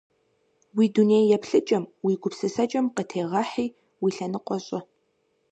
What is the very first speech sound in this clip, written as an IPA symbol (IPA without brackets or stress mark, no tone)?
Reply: w